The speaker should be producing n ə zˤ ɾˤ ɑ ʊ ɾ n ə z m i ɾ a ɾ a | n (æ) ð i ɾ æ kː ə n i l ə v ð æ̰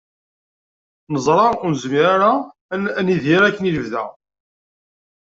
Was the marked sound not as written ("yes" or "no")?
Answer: yes